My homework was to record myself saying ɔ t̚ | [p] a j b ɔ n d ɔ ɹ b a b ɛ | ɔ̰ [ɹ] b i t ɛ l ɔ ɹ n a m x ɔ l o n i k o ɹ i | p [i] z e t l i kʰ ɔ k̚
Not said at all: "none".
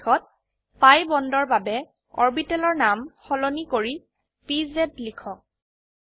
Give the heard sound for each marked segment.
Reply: p, ɹ, i

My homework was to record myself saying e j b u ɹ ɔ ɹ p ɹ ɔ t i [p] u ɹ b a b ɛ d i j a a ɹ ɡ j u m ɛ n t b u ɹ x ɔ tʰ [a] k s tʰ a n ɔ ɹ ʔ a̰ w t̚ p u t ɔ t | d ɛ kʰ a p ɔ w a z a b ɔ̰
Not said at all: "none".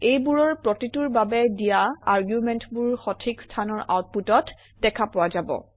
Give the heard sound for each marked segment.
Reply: t, i

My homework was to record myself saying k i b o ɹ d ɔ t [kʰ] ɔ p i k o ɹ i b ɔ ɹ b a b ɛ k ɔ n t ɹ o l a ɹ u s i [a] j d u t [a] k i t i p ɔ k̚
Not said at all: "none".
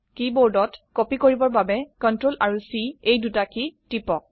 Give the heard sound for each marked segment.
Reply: k, e, a

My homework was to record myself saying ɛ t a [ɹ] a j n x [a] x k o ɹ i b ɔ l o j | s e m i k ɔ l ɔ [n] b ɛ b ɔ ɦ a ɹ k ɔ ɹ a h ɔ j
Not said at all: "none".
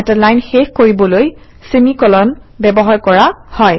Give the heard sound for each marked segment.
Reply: l, e, n

